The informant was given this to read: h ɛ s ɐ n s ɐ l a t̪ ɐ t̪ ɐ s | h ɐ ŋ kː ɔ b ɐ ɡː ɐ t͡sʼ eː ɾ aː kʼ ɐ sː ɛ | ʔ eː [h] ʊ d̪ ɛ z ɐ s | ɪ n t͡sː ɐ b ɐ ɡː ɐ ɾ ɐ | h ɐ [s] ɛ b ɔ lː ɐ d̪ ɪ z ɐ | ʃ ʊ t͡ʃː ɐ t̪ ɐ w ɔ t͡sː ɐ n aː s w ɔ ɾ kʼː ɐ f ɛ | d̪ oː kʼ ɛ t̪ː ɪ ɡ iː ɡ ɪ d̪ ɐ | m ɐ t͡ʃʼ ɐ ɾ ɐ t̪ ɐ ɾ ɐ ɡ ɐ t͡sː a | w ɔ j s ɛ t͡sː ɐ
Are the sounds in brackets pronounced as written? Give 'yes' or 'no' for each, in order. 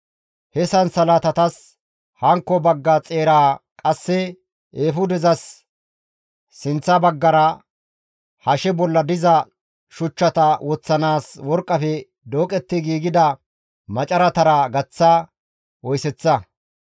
no, no

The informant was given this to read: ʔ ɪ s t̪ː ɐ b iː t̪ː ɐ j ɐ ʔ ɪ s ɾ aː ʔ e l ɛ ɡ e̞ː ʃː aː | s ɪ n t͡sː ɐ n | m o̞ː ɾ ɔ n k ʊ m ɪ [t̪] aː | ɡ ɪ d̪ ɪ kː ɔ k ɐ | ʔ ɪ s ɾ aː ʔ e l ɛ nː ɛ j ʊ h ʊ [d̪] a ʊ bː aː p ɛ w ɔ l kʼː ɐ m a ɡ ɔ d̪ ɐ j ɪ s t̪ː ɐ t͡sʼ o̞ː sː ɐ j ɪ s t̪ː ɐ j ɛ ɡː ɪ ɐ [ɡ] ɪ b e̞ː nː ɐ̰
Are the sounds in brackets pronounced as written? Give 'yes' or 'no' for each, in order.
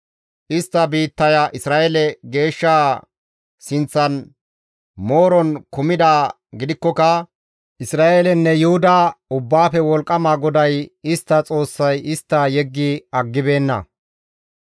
no, yes, no

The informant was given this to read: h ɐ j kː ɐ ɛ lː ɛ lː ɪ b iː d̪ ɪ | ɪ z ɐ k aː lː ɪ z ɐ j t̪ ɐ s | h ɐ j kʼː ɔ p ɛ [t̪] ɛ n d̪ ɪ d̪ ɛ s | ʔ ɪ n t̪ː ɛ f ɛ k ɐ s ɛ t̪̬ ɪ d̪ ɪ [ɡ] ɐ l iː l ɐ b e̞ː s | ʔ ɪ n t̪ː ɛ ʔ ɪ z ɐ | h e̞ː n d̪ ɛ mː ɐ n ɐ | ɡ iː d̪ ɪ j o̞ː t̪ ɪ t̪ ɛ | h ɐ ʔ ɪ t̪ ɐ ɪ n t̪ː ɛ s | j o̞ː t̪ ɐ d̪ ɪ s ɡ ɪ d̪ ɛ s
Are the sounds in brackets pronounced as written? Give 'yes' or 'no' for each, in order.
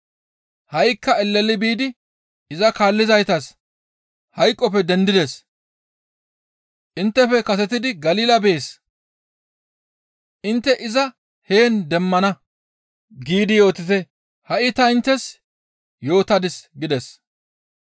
no, yes

